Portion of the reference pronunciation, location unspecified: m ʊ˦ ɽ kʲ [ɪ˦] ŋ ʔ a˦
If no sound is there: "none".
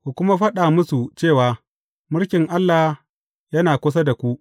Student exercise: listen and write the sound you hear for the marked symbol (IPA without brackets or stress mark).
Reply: ɪ˨